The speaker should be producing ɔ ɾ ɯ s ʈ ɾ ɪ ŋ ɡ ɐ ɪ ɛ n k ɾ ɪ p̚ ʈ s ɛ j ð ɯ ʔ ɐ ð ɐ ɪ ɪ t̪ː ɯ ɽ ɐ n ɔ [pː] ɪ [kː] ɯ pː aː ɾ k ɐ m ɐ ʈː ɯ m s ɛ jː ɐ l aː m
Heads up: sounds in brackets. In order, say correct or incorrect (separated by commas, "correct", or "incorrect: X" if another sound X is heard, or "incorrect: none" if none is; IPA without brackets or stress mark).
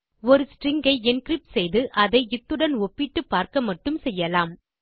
correct, incorrect: ʈː